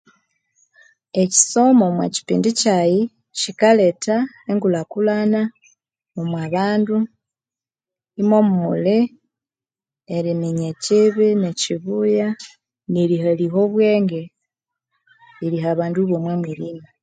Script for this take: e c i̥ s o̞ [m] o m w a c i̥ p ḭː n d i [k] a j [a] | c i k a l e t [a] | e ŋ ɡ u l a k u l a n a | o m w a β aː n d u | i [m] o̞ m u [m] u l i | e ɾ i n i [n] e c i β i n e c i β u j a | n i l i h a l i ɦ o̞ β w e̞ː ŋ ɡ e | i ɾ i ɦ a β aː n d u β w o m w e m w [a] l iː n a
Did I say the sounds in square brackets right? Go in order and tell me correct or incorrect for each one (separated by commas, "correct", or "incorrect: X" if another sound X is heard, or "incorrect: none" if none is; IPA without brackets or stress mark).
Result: correct, incorrect: c, incorrect: i, correct, correct, correct, incorrect: ɲ, incorrect: i